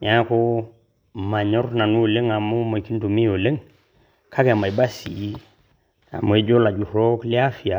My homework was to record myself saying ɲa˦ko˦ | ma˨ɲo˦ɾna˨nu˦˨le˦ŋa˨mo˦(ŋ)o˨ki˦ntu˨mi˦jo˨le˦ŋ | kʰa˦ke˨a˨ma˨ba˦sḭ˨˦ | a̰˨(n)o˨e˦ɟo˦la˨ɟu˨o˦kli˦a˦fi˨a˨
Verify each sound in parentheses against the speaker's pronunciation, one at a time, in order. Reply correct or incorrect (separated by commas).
incorrect, incorrect